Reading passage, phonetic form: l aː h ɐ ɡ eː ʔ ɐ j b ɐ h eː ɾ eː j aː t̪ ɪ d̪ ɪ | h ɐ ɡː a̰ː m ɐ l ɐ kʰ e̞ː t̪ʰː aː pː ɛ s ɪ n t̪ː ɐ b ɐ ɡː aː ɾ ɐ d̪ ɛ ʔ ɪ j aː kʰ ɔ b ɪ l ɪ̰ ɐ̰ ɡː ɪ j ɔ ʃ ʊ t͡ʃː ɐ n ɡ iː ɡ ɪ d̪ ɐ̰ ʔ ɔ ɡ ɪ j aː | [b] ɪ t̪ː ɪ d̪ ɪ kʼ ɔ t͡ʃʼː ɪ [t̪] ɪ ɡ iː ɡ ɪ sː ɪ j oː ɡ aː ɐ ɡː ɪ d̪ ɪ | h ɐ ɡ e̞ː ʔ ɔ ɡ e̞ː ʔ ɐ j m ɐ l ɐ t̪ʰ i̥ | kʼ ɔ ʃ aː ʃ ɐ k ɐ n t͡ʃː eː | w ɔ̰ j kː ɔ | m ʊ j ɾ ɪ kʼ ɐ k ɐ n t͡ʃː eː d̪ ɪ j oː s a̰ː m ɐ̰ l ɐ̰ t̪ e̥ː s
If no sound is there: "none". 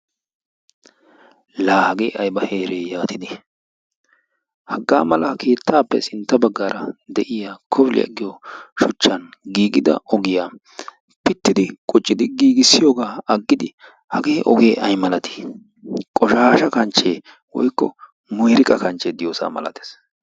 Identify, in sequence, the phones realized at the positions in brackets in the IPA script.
p, d̪

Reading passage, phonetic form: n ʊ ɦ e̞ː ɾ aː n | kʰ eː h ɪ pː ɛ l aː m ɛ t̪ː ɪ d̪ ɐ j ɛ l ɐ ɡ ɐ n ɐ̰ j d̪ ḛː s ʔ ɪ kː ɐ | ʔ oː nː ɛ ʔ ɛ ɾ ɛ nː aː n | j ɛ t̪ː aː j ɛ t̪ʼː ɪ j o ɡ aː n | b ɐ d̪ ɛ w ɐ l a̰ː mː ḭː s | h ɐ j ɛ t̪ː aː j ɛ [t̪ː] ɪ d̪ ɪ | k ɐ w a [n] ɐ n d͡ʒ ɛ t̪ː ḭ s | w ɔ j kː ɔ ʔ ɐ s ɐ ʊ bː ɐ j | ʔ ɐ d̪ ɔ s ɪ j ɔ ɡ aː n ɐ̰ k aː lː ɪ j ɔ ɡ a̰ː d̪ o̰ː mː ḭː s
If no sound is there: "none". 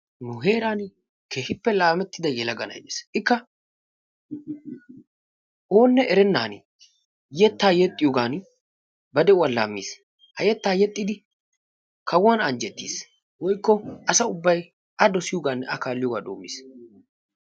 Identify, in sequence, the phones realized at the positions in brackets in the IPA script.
t̪ʼː, n

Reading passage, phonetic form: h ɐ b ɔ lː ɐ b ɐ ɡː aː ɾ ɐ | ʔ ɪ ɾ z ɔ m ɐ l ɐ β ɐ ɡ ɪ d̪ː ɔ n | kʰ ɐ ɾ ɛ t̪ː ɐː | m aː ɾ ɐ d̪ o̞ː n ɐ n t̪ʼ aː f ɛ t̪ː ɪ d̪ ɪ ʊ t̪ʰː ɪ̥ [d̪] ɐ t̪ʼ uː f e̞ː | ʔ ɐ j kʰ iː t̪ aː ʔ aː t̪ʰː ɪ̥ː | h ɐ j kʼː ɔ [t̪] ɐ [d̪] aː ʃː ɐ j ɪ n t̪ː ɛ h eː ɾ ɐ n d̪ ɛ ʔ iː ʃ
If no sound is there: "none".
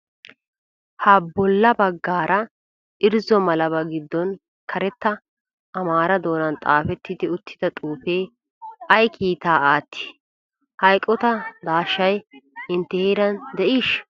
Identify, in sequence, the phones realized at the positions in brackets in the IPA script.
d̪, t̪, d̪

